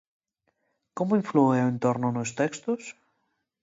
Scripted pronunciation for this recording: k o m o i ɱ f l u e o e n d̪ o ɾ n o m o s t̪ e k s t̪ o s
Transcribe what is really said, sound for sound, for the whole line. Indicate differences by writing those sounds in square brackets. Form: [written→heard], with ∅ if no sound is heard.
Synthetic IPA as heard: k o m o i ɱ f l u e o e n [d̪→t̪] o ɾ n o [m→n] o s t̪ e k s t̪ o s